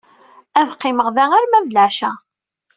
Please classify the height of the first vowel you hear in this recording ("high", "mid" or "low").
low